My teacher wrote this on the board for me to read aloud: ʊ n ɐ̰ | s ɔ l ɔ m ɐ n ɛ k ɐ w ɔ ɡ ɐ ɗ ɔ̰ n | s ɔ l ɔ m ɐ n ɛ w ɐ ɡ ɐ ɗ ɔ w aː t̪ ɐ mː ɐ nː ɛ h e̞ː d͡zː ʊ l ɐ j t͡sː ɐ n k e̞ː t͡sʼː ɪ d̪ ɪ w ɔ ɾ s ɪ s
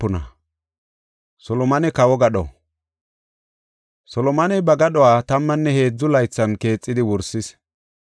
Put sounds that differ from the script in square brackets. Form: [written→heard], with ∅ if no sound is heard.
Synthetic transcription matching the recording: ʊ n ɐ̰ | s ɔ l ɔ m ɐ n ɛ k ɐ w ɔ ɡ ɐ ɗ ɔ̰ [n→∅] | s ɔ l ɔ m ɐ n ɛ [w→b] ɐ ɡ ɐ ɗ ɔ w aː t̪ ɐ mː ɐ nː ɛ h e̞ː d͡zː ʊ l ɐ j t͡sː ɐ n k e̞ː t͡sʼː ɪ d̪ ɪ w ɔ ɾ s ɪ s